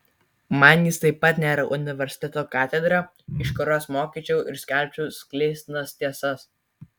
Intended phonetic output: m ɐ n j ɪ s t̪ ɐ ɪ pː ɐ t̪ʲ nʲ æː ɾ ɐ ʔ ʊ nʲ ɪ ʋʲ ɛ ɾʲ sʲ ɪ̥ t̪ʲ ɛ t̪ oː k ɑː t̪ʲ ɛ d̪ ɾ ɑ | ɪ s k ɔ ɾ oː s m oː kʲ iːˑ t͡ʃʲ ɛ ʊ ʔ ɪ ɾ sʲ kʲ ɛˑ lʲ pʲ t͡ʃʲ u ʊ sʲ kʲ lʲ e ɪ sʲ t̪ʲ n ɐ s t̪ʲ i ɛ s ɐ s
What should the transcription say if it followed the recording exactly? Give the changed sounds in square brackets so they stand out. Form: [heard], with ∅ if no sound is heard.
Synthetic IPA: m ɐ n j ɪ s t̪ ɐ ɪ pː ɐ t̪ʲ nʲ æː ɾ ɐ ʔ ʊ nʲ ɪ ʋʲ ɛ ɾʲ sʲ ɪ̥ t̪ʲ ɛ t̪ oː k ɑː t̪ʲ ɛ d̪ ɾ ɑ | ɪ [ʃ] k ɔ ɾ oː s m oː kʲ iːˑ t͡ʃʲ ɛ ʊ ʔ ɪ ɾ sʲ kʲ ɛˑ lʲ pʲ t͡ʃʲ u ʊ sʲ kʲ lʲ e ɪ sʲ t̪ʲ n ɐ s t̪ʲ i ɛ s ɐ s